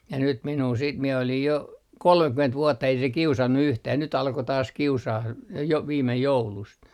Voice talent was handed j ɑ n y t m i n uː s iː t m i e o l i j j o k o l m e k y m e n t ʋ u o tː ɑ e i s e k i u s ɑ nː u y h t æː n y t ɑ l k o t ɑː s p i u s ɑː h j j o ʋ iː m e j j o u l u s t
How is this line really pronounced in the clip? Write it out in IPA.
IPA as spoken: j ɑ n y t m i n uː s iː t m i e o l i j j o k o l m e k y m e n t ʋ u o tː ɑ e i s e k i u s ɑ nː u y h t æː n y t ɑ l k o t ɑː s k i u s ɑː h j j o ʋ iː m e j j o u l u s t